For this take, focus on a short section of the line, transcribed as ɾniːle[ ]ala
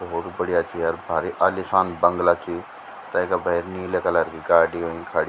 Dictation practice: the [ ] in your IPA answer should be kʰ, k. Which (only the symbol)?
k